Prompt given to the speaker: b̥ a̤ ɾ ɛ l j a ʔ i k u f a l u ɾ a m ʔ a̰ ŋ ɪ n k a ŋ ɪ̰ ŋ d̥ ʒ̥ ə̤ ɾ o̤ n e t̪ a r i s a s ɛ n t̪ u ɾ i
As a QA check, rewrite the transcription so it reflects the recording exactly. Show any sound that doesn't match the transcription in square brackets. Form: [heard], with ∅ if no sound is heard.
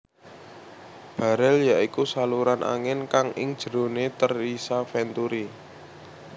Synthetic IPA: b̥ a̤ ɾ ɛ l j a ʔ i k u [s] a l u ɾ a [n] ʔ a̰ ŋ ɪ n k a ŋ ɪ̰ ŋ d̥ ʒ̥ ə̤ ɾ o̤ n e t̪ [ə] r i s a [f] ɛ n t̪ u ɾ i